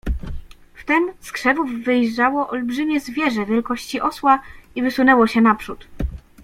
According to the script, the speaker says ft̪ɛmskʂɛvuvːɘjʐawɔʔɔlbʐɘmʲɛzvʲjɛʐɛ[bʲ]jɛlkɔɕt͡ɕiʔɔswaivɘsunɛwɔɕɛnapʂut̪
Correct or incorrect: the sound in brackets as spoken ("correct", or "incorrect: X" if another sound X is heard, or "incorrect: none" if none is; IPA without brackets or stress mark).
incorrect: vʲ